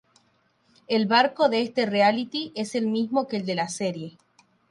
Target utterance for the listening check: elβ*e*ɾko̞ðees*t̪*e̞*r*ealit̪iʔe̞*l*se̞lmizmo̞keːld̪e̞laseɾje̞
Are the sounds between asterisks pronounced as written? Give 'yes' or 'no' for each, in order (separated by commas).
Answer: no, yes, yes, no